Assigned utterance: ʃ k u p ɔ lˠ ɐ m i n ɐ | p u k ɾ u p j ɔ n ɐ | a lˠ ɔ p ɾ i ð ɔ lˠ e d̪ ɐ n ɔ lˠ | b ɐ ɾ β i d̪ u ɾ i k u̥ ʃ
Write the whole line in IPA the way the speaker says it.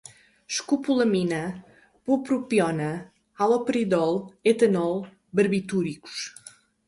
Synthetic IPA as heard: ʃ k u p u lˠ ɐ m i n ɐ | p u p ɾ u p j ɔ n ɐ | a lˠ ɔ p ɾ i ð ɔ lˠ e t̪ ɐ n ɔ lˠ | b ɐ ɾ β i t̪ u ɾ i k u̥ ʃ